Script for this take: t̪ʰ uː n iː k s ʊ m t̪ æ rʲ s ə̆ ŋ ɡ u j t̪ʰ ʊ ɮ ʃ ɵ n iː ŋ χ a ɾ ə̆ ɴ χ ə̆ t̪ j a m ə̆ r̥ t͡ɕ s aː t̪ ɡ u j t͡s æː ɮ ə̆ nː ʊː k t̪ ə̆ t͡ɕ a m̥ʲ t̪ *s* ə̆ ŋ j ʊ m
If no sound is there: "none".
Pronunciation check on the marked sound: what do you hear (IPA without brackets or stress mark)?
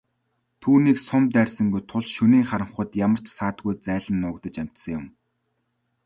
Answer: s